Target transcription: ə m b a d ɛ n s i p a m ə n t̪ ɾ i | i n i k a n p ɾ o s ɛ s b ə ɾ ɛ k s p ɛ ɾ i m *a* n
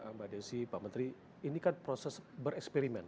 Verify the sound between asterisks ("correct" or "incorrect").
incorrect